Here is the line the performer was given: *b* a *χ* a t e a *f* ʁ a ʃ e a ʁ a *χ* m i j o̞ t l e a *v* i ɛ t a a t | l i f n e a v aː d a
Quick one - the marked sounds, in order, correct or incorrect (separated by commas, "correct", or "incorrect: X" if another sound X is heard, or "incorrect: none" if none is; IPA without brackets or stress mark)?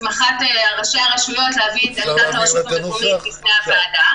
incorrect: m, correct, incorrect: none, incorrect: ʃ, correct